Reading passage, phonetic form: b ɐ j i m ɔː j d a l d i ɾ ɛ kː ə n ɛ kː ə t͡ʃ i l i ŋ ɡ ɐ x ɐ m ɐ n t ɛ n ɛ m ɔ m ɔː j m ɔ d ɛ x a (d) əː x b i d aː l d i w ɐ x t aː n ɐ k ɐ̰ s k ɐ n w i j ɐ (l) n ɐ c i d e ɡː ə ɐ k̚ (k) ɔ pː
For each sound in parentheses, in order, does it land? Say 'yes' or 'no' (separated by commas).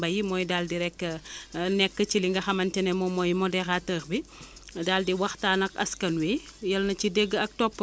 no, yes, no